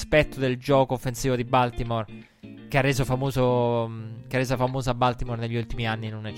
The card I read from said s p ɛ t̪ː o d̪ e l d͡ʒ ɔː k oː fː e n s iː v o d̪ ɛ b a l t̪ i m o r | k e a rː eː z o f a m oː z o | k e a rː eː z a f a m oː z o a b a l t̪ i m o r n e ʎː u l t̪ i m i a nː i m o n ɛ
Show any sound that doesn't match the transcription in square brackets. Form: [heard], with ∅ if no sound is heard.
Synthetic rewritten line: s p ɛ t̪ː o d̪ e l d͡ʒ ɔː k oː fː e n s iː v o d̪ [i] b a l t̪ i m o r | k e a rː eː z o f a m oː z o | k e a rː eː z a f a m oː z o a b a l t̪ i m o r n e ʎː u l t̪ i m i a nː i [n] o n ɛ